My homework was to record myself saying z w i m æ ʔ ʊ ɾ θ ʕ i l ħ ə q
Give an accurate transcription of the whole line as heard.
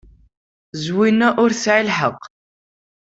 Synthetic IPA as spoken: z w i n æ ʔ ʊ ɾ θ ʕ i l ħ ə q